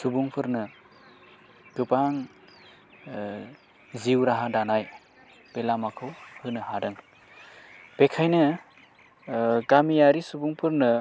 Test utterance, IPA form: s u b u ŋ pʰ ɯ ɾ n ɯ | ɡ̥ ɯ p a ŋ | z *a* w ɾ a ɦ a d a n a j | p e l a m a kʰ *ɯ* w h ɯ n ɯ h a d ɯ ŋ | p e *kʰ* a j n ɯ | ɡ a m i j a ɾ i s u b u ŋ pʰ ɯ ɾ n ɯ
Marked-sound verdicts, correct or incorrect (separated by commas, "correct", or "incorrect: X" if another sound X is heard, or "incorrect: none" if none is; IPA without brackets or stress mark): incorrect: i, correct, correct